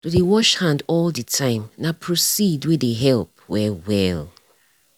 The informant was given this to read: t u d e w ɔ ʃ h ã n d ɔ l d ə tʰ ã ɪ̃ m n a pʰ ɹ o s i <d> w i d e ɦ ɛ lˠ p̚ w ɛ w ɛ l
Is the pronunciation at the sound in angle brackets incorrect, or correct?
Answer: correct